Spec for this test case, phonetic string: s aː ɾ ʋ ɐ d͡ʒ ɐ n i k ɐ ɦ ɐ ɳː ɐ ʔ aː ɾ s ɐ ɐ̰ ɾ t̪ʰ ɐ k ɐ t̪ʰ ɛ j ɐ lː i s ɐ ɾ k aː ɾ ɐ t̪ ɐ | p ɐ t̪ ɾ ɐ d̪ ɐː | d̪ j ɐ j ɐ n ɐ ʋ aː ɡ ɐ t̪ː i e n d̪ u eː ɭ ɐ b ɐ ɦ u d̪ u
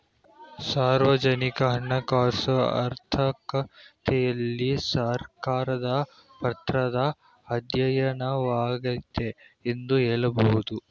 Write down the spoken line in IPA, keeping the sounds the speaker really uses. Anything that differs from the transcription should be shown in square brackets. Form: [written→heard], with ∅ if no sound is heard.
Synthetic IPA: s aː ɾ ʋ ɐ d͡ʒ ɐ n i k ɐ ɦ ɐ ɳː ɐ [ʔ→k] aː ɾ s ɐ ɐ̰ ɾ t̪ʰ ɐ k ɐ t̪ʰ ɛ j ɐ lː i s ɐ ɾ k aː ɾ ɐ [t̪→d̪] ɐ | p ɐ t̪ ɾ ɐ d̪ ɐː | d̪ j ɐ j ɐ n ɐ ʋ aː ɡ ɐ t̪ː [i→e] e n d̪ u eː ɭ ɐ b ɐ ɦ u d̪ u

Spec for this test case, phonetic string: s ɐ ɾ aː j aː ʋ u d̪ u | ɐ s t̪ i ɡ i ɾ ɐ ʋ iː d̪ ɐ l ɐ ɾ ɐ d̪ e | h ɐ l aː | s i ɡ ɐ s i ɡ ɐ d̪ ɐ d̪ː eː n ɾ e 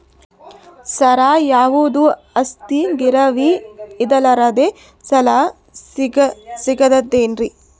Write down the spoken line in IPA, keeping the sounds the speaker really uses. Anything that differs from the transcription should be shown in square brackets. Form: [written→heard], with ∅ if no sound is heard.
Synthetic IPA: s ɐ ɾ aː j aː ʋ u d̪ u | ɐ s t̪ i ɡ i ɾ ɐ ʋ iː d̪ ɐ l ɐ ɾ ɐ d̪ e | [h→s] ɐ l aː | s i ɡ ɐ s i ɡ ɐ d̪ ɐ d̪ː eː n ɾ [e→i]

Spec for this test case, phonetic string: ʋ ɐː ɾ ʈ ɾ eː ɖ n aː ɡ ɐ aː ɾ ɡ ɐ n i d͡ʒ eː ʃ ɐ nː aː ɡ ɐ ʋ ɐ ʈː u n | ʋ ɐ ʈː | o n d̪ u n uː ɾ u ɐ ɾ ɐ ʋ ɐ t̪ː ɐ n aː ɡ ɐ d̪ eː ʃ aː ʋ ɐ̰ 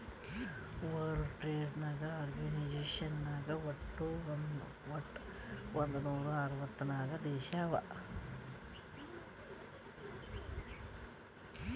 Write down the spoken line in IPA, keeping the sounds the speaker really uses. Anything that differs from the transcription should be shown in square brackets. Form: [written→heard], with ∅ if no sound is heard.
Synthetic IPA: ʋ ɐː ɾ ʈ ɾ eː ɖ n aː ɡ ɐ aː ɾ ɡ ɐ n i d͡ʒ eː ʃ ɐ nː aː ɡ ɐ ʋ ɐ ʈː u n | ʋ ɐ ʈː | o n d̪ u n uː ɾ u ɐ ɾ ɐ ʋ ɐ t̪ː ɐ n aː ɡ ɐ d̪ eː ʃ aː ʋ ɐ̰

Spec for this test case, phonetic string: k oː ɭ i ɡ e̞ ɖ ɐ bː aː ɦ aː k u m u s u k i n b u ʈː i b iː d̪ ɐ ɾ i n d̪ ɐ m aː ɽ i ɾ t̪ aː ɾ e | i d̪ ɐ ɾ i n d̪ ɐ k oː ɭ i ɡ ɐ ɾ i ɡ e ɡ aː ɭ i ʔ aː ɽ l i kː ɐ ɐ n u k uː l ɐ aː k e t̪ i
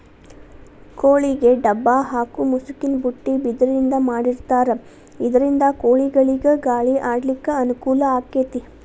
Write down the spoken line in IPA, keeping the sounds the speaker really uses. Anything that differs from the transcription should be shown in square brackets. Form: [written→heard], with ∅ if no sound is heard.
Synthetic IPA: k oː ɭ i ɡ e̞ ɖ ɐ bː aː ɦ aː k u m u s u k i n b u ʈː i b [iː→i] d̪ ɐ ɾ i n d̪ ɐ m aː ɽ i ɾ t̪ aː ɾ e | i d̪ ɐ ɾ i n d̪ ɐ k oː ɭ i ɡ ɐ [ɾ→ɭ] i ɡ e ɡ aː ɭ i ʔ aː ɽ l i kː ɐ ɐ n u k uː l ɐ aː k e t̪ i

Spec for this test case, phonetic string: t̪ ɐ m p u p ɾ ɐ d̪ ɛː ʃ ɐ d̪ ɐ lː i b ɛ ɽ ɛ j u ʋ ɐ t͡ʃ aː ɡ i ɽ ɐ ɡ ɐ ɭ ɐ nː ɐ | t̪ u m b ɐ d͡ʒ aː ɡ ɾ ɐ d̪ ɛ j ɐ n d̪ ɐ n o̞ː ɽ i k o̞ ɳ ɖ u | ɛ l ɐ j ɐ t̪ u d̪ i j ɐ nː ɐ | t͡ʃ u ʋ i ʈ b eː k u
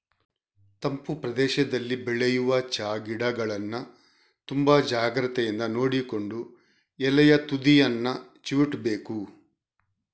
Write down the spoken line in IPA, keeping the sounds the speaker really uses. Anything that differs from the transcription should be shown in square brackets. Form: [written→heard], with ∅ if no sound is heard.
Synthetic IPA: t̪ ɐ m p u p ɾ ɐ d̪ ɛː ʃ ɐ d̪ ɐ lː i b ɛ [ɽ→ɭ] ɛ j u ʋ ɐ t͡ʃ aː ɡ i ɽ ɐ ɡ ɐ ɭ ɐ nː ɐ | t̪ u m b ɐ d͡ʒ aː ɡ ɾ ɐ [d̪→t̪] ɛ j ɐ n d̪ ɐ n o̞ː ɽ i k o̞ ɳ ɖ u | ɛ l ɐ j ɐ t̪ u d̪ i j ɐ nː ɐ | t͡ʃ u ʋ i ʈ b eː k u

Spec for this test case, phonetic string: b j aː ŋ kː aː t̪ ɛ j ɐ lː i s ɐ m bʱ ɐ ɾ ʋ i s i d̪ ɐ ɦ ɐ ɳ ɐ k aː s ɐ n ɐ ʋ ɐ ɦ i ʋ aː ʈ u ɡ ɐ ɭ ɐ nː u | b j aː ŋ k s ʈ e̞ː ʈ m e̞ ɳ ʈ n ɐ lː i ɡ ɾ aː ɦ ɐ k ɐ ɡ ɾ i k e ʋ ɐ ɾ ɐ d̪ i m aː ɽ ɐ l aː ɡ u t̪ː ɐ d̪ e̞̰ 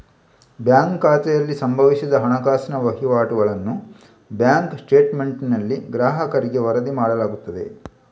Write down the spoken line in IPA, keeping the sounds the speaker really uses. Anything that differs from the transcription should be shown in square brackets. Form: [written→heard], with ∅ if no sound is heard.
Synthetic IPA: b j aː ŋ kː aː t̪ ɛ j ɐ lː i s ɐ m bʱ ɐ [ɾ→∅] ʋ i s i d̪ ɐ ɦ ɐ ɳ ɐ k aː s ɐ n ɐ ʋ ɐ ɦ i ʋ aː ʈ u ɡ ɐ ɭ ɐ nː u | b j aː ŋ k s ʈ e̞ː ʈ m e̞ ɳ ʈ n ɐ lː i ɡ ɾ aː ɦ ɐ k ɐ [ɡ→∅] ɾ i [k→ɡ] e ʋ ɐ ɾ ɐ d̪ i m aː ɽ ɐ l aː ɡ u t̪ː ɐ d̪ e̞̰

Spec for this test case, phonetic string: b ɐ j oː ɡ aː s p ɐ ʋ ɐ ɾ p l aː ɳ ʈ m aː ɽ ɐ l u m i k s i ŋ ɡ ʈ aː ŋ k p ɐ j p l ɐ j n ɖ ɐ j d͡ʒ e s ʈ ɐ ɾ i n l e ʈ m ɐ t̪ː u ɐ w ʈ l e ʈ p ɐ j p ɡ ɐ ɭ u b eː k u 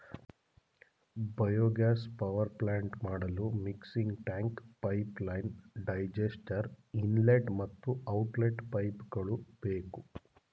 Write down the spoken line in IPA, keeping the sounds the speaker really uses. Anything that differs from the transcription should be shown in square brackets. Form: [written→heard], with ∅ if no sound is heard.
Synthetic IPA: b ɐ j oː ɡ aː s p ɐ ʋ ɐ ɾ p l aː ɳ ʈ m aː ɽ ɐ l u m i k s i ŋ ɡ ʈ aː ŋ k p ɐ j p l ɐ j n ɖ ɐ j d͡ʒ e s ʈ ɐ ɾ i n l e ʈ m ɐ t̪ː u ɐ w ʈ l e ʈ p ɐ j p ɡ ɐ ɭ u b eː k u

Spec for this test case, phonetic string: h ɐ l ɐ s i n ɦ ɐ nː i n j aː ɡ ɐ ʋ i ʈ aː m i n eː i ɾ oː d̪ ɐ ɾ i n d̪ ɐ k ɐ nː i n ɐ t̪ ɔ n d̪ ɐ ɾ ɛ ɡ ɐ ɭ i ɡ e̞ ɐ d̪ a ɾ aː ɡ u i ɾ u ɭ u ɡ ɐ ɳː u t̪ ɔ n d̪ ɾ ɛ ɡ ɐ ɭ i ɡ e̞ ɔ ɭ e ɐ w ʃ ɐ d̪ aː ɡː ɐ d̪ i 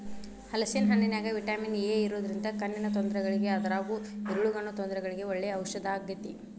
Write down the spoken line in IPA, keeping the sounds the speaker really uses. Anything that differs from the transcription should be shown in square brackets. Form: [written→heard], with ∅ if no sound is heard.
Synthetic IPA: h ɐ l ɐ s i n ɦ ɐ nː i n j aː ɡ ɐ ʋ i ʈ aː m i n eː i ɾ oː d̪ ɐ ɾ i n d̪ ɐ k ɐ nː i n ɐ t̪ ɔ n d̪ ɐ ɾ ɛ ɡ ɐ ɭ i ɡ e̞ ɐ d̪ [a→ɐ] ɾ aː ɡ u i ɾ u ɭ u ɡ ɐ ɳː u t̪ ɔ n d̪ ɾ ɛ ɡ ɐ ɭ i ɡ e̞ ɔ [ɭ→ɭː] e ɐ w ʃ ɐ d̪ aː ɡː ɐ [d̪→t̪] i

